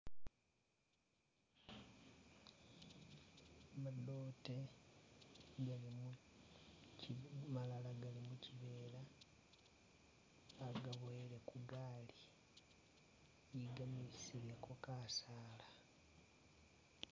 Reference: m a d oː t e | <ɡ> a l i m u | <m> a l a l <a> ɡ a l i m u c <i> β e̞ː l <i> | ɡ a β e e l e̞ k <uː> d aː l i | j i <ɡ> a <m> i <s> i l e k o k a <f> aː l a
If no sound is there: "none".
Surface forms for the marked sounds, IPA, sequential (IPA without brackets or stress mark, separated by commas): ɡ, m, a, i, a, u, ɡ, m, s, s